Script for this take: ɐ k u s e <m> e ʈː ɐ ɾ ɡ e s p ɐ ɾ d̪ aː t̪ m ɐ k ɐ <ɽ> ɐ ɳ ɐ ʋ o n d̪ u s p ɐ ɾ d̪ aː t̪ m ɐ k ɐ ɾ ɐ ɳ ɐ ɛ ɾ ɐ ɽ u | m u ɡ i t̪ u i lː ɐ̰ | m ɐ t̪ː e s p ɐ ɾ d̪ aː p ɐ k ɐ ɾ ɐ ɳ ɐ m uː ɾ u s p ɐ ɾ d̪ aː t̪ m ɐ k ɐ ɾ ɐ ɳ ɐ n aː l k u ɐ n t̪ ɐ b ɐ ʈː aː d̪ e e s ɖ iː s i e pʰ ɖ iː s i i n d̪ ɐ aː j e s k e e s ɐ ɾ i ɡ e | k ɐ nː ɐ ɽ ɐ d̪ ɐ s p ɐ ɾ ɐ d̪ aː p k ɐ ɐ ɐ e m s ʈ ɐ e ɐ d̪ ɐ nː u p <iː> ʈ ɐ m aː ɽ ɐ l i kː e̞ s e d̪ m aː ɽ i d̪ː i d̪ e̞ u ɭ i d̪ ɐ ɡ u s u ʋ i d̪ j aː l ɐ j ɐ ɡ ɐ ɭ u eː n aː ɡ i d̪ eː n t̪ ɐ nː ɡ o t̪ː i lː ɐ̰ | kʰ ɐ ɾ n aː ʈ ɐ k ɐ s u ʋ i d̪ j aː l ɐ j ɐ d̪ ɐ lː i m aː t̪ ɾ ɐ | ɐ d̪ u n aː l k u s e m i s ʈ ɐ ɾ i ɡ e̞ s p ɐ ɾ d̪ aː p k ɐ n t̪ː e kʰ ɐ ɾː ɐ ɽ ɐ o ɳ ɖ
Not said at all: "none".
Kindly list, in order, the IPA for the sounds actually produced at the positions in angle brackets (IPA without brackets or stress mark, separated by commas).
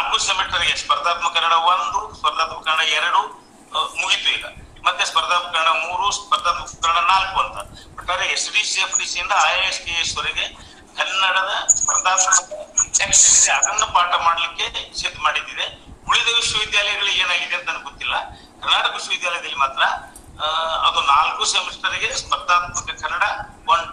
m, ɾ, aː